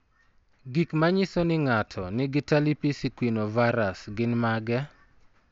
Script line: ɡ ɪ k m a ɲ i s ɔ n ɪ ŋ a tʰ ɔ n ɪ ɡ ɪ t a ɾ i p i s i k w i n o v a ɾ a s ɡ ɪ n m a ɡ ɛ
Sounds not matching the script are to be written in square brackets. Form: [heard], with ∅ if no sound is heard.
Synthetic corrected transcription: ɡ [i] k m a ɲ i s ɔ n ɪ ŋ a tʰ ɔ n ɪ ɡ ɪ t a [l] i p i s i k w i n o v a ɾ a s ɡ ɪ n m a ɡ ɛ